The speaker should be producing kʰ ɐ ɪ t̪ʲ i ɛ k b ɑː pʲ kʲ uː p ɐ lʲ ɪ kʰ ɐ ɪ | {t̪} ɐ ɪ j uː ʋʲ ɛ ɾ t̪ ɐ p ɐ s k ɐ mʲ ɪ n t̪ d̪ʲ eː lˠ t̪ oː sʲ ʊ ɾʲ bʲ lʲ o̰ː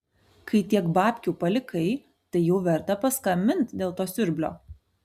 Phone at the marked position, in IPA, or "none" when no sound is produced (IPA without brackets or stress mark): t̪